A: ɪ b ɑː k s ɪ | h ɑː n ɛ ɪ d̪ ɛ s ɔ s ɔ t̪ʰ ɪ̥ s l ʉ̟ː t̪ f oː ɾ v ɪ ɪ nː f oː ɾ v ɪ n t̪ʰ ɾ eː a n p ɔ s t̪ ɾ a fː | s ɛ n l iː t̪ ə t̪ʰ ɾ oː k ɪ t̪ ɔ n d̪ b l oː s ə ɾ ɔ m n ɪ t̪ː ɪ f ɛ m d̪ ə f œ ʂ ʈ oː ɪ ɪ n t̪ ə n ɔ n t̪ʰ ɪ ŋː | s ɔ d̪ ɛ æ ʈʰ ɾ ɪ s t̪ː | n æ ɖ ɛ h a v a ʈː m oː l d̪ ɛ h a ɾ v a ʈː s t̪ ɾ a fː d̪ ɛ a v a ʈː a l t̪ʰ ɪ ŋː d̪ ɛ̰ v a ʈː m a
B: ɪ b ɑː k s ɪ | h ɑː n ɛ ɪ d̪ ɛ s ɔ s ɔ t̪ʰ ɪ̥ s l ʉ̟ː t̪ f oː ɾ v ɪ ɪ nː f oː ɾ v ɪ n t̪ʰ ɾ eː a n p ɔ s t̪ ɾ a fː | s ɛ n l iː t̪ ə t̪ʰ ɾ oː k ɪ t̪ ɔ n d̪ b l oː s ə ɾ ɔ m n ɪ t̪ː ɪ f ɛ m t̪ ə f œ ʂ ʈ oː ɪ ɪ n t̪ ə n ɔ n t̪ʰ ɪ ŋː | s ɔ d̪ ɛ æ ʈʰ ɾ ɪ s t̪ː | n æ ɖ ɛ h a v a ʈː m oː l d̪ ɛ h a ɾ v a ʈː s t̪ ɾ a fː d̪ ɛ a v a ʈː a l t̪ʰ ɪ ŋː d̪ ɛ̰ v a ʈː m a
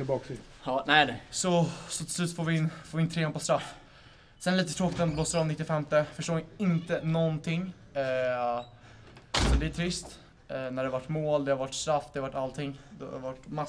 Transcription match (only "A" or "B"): B